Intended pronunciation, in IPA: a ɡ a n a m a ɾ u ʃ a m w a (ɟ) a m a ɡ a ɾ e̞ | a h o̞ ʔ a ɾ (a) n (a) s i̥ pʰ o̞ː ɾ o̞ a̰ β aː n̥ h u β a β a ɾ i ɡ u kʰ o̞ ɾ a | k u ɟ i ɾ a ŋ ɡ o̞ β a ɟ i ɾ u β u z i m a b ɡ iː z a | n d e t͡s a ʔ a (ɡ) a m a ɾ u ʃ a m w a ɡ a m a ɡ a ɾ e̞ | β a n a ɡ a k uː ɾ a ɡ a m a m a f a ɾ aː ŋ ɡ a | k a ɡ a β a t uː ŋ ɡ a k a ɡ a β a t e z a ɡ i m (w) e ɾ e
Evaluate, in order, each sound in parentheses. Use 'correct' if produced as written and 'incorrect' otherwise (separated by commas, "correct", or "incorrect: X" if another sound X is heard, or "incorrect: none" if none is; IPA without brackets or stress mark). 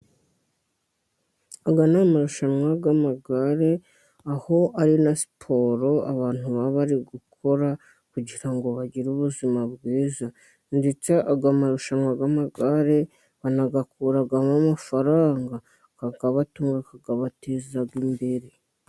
incorrect: ɡ, incorrect: i, correct, correct, incorrect: b